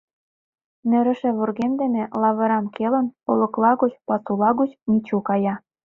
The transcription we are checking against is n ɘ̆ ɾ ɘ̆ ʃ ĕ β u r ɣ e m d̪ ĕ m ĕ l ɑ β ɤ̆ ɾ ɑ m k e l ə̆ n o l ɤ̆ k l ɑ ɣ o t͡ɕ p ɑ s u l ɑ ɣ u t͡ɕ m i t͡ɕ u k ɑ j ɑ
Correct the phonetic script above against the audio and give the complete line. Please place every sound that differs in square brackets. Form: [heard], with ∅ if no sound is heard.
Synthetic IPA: n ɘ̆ ɾ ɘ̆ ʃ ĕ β u r ɣ e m d̪ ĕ m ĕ l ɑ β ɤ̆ ɾ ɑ m k e l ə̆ n o l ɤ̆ k l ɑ ɣ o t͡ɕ p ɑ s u l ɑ ɣ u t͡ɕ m i t͡ɕ u k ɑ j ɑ